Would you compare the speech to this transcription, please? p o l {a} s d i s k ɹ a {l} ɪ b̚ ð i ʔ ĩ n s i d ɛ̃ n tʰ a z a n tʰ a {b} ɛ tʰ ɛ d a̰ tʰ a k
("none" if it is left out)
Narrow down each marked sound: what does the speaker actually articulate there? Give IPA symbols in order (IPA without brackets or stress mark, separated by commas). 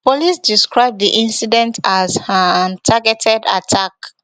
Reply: i, none, ɡ